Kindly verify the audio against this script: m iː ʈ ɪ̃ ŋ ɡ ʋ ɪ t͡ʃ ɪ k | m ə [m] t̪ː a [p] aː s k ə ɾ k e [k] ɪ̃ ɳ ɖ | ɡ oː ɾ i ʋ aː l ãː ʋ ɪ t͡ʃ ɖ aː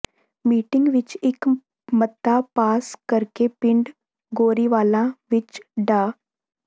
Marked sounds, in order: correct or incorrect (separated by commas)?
incorrect, correct, incorrect